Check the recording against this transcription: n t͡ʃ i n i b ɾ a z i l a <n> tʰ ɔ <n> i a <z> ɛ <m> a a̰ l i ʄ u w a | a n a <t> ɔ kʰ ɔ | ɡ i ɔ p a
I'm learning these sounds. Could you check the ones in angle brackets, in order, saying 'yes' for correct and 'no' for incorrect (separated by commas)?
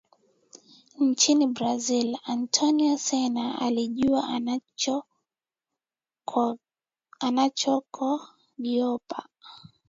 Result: yes, yes, no, no, no